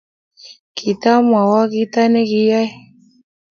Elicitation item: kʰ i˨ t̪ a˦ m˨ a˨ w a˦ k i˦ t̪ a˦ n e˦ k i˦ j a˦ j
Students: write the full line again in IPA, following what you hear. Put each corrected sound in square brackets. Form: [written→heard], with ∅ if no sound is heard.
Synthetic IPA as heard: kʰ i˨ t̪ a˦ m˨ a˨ w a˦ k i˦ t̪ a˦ n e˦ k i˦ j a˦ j